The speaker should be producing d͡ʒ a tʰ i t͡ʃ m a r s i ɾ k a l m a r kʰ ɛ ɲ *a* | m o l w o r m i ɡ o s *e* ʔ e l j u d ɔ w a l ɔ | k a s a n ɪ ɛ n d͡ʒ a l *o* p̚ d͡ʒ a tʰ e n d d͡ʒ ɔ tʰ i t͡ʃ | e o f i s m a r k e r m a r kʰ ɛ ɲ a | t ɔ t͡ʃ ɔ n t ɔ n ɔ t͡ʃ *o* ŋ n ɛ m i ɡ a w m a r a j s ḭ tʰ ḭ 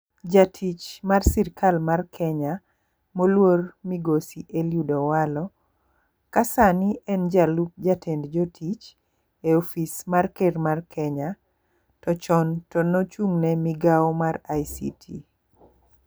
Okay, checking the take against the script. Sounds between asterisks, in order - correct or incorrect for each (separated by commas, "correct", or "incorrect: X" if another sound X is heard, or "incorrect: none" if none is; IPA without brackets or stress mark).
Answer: correct, incorrect: i, incorrect: u, incorrect: u